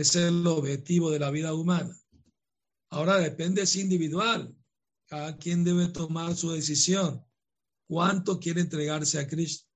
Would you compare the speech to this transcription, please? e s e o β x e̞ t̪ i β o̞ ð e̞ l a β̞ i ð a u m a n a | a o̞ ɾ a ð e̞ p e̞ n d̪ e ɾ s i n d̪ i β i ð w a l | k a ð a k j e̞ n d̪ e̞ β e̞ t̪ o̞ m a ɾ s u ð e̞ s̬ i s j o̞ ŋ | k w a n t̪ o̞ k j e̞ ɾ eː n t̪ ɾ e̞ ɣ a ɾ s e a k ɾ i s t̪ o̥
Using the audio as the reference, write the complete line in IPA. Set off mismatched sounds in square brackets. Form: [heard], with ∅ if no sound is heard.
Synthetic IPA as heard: e s e o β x e̞ t̪ i β o̞ ð e̞ l a β̞ i ð a u m a n a | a o̞ ɾ a ð e̞ p e̞ n d̪ e [∅] s i n d̪ i β i ð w a l | k a ð a k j e̞ n d̪ e̞ β e̞ t̪ o̞ m a ɾ s u ð e̞ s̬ i s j o̞ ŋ | k w a n t̪ o̞ k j e̞ ɾ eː n t̪ ɾ e̞ ɣ a ɾ s e a k ɾ i s t̪ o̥